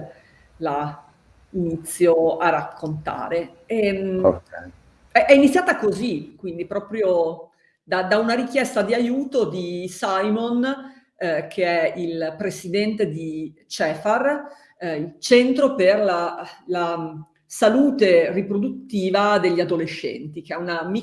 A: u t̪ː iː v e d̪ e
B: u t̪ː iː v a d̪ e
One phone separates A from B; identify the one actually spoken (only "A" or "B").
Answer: B